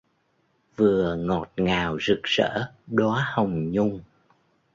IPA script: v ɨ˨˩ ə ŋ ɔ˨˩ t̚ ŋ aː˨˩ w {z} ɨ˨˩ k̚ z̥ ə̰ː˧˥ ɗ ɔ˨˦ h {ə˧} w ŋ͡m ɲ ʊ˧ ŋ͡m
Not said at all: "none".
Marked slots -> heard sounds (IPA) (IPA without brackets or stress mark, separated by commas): z, ə˨˩